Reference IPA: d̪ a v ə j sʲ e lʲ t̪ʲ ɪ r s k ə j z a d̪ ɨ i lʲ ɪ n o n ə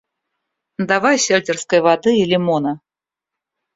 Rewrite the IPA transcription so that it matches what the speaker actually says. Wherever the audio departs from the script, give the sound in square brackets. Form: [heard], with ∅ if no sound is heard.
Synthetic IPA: d̪ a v [a] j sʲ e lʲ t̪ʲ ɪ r s k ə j [v] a d̪ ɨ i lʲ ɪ [m] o n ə